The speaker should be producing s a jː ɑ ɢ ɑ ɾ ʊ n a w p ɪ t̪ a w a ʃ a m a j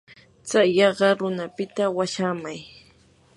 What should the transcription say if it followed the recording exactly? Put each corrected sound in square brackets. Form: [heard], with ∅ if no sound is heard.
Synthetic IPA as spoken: [t͡s] a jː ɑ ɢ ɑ ɾ ʊ n a [∅] p ɪ t̪ a w a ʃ a m a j